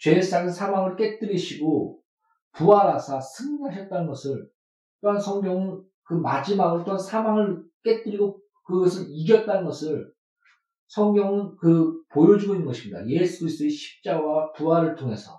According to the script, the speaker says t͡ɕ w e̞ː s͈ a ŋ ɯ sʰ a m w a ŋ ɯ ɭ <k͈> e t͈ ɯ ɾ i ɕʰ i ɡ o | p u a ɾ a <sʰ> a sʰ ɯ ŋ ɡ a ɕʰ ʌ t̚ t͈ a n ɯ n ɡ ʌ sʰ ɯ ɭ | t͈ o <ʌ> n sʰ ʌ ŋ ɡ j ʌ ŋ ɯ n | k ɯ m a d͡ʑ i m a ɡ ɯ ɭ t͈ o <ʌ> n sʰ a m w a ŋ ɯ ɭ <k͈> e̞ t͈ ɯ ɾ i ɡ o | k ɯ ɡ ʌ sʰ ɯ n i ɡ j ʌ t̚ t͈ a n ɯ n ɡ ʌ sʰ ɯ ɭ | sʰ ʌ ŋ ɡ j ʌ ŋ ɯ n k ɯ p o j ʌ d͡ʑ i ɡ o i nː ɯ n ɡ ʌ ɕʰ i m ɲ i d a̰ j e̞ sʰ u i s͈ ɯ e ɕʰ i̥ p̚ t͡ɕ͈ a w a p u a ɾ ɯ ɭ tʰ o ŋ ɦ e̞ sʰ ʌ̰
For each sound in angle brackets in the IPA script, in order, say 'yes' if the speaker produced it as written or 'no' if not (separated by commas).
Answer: yes, yes, no, no, yes